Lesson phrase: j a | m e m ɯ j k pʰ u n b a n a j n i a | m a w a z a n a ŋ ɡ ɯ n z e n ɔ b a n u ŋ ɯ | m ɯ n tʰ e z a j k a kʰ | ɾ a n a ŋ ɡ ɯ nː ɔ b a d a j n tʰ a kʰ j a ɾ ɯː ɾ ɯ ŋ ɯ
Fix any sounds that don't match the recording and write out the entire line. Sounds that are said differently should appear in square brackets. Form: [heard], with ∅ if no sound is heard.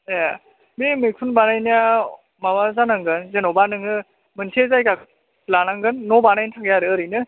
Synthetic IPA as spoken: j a | m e m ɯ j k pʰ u n b a n a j n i a | m a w a z a n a ŋ ɡ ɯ n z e n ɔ b a n [ɯ] ŋ ɯ | m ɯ n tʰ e z a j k a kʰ | [l] a n a ŋ ɡ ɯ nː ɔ b a [n] a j n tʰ a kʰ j a ɾ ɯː ɾ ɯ [n] ɯ